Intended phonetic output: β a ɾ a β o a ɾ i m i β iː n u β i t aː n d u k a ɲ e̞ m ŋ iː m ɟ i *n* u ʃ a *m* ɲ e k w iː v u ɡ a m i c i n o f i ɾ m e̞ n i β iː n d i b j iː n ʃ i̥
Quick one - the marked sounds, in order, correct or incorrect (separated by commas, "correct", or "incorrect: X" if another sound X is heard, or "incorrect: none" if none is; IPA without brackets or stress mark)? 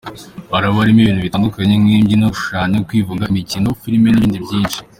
correct, incorrect: none